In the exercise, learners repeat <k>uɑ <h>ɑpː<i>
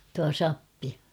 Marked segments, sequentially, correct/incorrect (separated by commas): incorrect, incorrect, correct